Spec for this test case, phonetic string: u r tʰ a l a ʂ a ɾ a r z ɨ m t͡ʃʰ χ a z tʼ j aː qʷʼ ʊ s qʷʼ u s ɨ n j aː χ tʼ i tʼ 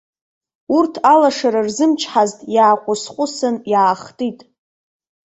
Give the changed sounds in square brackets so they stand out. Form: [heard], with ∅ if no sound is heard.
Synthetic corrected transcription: u r tʰ a l a ʂ a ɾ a r z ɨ m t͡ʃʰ [ħ] a z tʼ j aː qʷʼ ʊ s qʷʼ [ʊ] s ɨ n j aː χ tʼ i tʼ